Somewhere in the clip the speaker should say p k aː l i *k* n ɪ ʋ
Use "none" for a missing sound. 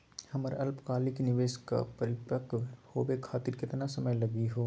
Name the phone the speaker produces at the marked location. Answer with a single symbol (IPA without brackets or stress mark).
k